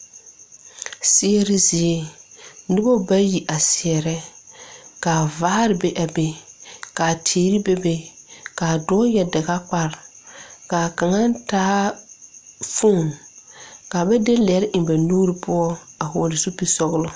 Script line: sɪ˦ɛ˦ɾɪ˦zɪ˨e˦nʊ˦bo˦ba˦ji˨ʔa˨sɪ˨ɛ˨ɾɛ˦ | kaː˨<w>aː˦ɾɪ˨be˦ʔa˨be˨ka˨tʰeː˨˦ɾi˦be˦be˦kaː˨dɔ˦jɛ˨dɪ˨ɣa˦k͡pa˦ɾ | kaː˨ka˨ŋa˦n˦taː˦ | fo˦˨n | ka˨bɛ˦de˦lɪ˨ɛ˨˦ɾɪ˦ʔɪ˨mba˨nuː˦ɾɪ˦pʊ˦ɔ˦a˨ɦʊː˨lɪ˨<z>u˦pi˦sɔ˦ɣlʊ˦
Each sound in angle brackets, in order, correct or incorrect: incorrect: v, incorrect: s

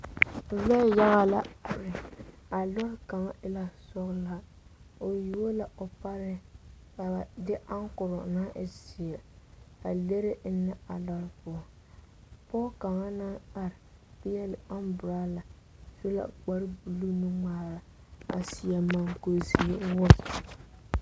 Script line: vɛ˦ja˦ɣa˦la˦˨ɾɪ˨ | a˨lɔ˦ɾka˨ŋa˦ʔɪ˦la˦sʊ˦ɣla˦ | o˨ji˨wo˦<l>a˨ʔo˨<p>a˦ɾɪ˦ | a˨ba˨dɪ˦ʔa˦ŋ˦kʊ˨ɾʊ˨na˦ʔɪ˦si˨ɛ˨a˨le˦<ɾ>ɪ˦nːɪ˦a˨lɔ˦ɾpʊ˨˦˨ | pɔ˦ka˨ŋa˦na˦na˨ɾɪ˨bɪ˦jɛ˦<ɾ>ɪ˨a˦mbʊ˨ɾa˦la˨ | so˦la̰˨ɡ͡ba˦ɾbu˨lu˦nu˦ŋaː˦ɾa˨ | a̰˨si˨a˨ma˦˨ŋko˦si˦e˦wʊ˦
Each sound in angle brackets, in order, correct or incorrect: correct, correct, correct, incorrect: l

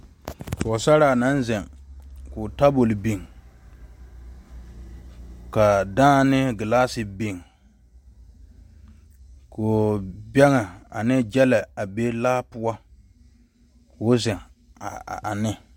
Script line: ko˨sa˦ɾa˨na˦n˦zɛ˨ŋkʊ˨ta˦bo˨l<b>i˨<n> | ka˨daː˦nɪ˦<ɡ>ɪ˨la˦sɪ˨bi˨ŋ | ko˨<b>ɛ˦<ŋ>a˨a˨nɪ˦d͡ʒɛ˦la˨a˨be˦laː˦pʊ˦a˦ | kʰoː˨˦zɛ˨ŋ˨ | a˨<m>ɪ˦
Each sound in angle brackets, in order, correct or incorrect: correct, incorrect: ŋ, correct, correct, correct, incorrect: n

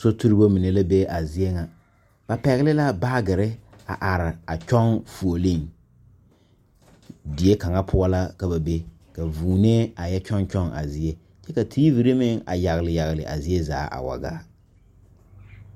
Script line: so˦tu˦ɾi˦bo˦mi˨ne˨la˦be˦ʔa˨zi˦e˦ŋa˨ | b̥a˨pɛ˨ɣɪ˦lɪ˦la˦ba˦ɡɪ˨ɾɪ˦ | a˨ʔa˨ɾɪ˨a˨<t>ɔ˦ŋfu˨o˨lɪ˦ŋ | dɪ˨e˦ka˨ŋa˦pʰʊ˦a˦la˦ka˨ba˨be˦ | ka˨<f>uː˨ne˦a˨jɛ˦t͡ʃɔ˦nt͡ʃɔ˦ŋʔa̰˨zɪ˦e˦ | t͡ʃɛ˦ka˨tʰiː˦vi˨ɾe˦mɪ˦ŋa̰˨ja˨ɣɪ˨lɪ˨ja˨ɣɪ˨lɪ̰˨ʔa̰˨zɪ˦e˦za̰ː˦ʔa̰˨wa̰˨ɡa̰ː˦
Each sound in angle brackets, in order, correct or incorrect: incorrect: t͡ʃ, incorrect: v

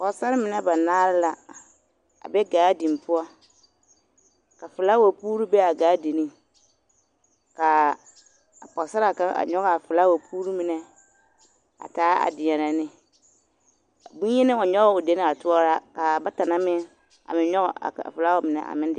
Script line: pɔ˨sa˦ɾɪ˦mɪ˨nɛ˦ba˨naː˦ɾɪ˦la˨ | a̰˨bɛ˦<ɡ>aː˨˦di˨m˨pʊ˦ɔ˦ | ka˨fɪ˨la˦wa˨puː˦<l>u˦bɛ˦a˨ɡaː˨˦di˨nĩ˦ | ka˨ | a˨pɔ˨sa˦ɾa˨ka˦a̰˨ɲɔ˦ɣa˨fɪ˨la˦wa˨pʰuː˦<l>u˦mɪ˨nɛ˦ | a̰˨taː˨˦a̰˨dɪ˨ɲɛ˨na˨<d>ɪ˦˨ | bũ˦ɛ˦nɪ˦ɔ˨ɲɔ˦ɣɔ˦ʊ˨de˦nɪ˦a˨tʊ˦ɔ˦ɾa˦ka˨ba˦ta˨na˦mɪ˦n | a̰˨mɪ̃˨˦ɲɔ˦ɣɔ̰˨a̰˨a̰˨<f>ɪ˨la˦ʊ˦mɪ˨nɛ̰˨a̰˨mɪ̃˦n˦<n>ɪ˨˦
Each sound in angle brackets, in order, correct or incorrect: correct, incorrect: ɾ, incorrect: ɾ, incorrect: n, correct, incorrect: d

